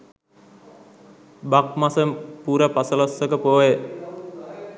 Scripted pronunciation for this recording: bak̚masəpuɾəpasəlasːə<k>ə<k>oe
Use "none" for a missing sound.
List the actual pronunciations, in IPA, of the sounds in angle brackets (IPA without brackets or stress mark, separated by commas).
k, p